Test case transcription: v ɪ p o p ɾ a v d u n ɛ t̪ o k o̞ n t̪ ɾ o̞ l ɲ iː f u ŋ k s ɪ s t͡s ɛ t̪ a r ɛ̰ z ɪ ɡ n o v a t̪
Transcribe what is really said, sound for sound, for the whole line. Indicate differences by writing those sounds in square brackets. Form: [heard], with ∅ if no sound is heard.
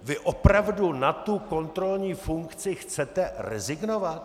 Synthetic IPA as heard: v ɪ [ʔ] o p ɾ a v d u n [a] t̪ [u] k o̞ n t̪ ɾ o̞ l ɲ iː f u ŋ k [t͡s] ɪ [x] t͡s ɛ t̪ [ɛ] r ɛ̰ z ɪ ɡ n o v a t̪